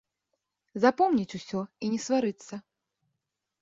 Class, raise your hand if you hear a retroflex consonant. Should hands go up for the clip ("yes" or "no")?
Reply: no